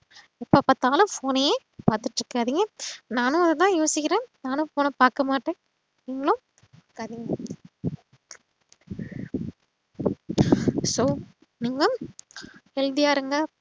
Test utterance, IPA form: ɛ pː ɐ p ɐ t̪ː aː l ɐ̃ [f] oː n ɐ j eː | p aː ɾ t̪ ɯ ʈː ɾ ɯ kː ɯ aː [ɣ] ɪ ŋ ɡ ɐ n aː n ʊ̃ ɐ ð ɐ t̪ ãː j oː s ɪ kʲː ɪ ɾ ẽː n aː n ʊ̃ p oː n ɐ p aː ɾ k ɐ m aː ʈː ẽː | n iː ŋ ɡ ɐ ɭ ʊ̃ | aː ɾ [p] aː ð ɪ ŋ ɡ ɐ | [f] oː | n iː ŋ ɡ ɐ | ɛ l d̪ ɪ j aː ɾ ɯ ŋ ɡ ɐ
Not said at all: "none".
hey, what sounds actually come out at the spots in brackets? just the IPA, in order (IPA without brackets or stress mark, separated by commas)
f, ð, k, s